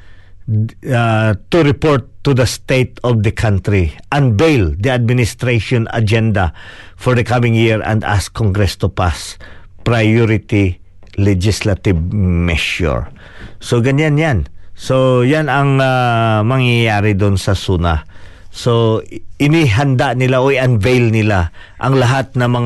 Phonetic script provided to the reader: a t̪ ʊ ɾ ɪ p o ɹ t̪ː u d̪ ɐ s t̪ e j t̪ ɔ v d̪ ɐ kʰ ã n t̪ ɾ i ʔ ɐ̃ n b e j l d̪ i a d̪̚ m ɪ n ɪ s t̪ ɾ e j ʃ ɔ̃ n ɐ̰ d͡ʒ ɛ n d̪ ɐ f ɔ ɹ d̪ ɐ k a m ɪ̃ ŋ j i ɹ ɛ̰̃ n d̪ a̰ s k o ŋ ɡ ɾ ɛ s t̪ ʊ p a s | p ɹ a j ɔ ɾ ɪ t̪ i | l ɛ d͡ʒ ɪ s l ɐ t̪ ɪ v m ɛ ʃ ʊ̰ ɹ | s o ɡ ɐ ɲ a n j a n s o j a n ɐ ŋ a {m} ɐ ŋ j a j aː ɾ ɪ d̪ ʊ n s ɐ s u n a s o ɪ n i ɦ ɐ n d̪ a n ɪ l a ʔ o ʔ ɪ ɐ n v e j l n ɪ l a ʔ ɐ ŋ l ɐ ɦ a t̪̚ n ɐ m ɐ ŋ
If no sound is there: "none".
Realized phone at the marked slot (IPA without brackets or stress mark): m